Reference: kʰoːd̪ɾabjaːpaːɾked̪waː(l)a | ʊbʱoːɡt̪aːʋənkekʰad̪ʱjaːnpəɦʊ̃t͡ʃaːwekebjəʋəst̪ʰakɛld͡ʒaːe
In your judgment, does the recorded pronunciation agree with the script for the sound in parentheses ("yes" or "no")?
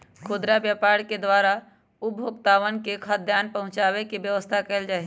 no